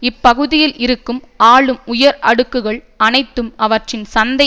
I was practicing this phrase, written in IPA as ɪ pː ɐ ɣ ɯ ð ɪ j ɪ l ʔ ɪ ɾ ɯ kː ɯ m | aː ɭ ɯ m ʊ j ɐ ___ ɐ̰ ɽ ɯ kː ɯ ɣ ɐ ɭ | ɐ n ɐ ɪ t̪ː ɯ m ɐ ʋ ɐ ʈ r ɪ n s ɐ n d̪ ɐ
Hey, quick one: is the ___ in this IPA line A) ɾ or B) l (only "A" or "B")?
A